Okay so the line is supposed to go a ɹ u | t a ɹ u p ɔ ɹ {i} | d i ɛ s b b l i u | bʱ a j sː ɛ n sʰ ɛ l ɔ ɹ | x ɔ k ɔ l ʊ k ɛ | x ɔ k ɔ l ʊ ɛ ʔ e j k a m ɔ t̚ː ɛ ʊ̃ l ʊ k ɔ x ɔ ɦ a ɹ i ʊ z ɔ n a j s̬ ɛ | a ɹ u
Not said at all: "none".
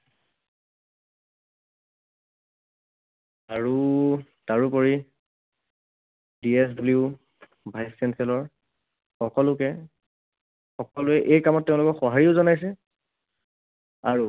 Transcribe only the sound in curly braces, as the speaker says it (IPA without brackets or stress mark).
i